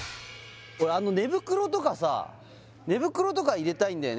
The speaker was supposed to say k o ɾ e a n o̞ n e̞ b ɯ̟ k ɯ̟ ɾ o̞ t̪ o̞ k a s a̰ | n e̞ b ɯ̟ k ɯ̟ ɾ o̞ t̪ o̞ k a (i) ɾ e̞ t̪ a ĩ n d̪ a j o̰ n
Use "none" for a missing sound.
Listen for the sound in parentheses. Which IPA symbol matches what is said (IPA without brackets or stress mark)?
i